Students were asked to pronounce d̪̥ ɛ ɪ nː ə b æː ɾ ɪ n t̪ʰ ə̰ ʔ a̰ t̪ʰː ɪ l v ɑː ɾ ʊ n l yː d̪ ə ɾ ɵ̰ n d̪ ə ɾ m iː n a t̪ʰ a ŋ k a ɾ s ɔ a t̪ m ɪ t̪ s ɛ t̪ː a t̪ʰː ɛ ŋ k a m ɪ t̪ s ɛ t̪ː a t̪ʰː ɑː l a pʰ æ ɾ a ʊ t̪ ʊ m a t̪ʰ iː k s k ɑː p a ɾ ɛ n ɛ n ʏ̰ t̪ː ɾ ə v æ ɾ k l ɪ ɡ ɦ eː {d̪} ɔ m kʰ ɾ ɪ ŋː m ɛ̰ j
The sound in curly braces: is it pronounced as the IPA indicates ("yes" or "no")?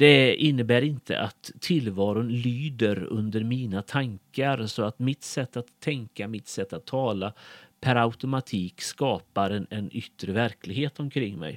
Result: no